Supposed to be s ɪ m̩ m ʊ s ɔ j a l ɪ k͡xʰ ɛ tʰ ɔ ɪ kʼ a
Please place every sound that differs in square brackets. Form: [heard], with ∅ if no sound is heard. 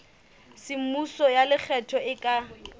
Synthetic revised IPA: s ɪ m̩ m [u] s ɔ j a l ɪ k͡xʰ ɛ tʰ ɔ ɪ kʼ a